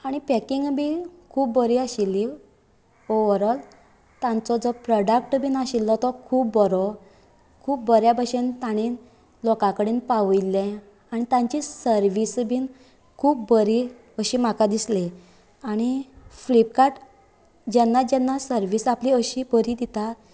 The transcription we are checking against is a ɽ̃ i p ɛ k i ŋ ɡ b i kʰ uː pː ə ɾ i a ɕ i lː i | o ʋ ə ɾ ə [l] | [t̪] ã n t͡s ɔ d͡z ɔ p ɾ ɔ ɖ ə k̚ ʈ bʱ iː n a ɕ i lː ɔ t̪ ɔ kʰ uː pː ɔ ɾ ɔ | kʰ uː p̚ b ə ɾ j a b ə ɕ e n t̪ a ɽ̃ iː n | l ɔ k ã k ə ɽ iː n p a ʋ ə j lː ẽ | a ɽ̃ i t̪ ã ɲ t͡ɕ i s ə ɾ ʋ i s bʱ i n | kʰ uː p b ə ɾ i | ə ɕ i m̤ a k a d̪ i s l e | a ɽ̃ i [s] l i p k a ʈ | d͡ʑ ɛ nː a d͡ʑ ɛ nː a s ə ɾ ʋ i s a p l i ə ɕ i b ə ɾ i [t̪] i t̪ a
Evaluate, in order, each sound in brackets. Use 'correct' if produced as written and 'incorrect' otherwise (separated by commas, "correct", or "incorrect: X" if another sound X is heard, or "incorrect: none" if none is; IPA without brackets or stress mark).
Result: correct, correct, incorrect: f, incorrect: d̪